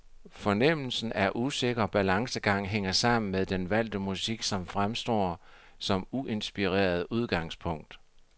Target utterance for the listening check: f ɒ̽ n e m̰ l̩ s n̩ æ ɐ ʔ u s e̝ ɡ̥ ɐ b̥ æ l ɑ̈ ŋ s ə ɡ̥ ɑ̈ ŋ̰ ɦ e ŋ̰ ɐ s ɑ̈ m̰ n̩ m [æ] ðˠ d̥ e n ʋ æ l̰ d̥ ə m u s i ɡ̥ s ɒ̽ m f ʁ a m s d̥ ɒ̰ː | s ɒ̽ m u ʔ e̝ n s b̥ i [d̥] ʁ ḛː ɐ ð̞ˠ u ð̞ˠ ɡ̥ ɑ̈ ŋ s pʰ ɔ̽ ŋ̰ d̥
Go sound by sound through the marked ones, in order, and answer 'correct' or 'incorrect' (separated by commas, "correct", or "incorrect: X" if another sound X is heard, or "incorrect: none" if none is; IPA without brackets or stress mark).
incorrect: e, incorrect: none